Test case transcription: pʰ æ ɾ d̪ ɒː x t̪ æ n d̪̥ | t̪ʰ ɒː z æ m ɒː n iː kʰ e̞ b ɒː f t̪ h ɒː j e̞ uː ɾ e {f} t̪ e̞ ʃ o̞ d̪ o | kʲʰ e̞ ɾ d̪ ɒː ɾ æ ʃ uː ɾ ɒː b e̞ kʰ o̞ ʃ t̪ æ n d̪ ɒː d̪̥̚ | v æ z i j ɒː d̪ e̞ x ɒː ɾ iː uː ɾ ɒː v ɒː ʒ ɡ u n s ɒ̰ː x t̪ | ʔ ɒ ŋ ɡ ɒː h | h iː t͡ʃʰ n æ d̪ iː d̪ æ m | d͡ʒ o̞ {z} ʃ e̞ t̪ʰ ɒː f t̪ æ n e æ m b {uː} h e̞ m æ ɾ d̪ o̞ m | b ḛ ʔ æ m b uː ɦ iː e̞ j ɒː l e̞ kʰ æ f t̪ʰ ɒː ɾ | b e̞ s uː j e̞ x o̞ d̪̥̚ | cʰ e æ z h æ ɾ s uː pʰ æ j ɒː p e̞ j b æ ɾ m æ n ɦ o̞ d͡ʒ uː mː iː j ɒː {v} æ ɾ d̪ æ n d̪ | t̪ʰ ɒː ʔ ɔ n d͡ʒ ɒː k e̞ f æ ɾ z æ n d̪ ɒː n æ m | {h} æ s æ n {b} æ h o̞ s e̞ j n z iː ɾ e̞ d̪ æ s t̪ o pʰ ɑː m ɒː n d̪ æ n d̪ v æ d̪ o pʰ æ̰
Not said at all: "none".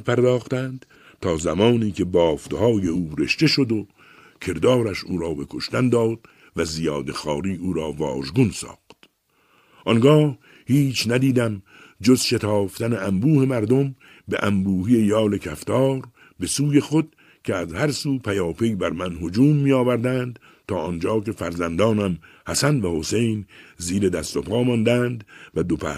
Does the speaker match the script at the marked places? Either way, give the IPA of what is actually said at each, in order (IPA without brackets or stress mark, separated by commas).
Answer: ʃ, z, uː, v, h, v